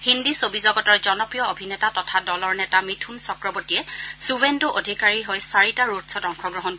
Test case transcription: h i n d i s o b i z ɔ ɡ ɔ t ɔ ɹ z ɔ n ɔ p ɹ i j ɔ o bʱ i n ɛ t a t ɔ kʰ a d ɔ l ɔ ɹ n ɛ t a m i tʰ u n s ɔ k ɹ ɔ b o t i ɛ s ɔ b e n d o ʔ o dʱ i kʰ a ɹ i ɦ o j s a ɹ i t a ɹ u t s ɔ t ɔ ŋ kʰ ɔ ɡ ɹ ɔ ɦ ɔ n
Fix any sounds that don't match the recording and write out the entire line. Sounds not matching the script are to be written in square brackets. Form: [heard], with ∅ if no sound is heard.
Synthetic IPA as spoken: h i n d i s o b i z ɔ ɡ ɔ t ɔ ɹ z ɔ n ɔ p ɹ i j ɔ o bʱ i n ɛ t a t ɔ [tʰ] a d ɔ l ɔ ɹ n ɛ t a m i tʰ u n s ɔ k ɹ ɔ b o t i ɛ s [u] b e n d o ʔ o dʱ i [k] a ɹ i ɦ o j s a ɹ i t a ɹ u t s ɔ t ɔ ŋ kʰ ɔ ɡ ɹ ɔ ɦ ɔ n